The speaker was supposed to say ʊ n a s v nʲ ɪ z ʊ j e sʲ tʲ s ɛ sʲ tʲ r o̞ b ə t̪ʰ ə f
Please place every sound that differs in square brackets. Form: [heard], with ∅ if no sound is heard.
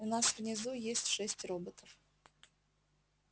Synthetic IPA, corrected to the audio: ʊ n a s v nʲ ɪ z [u] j e sʲ tʲ [ʂ] ɛ sʲ tʲ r o̞ b ə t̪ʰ ə f